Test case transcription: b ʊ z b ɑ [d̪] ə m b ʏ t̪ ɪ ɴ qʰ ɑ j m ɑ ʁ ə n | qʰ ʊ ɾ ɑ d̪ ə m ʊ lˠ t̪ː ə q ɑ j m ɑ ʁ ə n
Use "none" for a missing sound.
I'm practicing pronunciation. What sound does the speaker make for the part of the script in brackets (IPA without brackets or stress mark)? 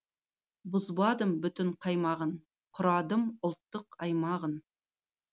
d̪